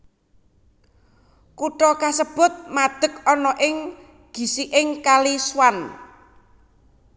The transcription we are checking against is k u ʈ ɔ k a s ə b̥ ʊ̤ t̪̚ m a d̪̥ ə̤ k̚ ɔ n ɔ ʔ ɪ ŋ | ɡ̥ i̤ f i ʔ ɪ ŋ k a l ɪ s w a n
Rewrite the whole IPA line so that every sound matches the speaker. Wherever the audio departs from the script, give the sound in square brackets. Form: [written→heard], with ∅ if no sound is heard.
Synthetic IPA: k u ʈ ɔ k a s ə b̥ ʊ̤ t̪̚ m a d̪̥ ə̤ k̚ ɔ n ɔ ʔ ɪ ŋ | ɡ̥ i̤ [f→s] i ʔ ɪ ŋ k a l [ɪ→i] s w a n